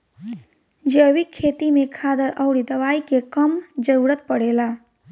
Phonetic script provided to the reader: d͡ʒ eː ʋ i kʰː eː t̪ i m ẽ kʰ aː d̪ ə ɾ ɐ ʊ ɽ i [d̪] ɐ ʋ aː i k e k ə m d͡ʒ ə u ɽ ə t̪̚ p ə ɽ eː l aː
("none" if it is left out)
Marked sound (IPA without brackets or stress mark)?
d̪